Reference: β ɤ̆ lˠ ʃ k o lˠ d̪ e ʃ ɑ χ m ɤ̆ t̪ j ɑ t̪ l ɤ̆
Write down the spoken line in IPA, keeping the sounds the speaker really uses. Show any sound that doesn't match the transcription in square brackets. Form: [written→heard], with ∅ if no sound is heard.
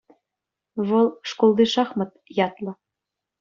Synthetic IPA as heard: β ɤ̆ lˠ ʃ k o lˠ d̪ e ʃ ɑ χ m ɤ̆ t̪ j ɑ t̪ l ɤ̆